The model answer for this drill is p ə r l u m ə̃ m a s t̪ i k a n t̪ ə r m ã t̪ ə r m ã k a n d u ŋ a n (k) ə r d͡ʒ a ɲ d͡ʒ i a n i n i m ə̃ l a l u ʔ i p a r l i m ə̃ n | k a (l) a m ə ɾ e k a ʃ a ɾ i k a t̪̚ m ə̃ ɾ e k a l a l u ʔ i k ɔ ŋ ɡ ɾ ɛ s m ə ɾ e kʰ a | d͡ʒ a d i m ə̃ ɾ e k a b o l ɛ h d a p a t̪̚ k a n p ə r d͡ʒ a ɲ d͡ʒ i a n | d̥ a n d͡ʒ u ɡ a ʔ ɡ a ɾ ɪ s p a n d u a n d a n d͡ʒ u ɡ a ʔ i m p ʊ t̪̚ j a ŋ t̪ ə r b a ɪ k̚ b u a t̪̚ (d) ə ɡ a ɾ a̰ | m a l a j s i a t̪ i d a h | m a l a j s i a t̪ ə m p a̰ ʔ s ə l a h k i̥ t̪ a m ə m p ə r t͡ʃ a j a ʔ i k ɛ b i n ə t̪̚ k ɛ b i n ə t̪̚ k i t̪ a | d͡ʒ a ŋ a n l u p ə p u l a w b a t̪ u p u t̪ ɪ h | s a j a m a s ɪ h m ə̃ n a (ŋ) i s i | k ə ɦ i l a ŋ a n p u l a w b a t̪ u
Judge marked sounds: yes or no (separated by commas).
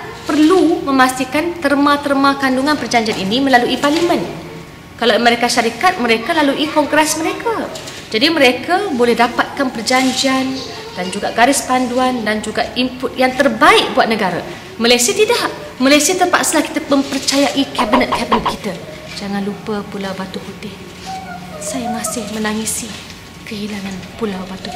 no, yes, no, yes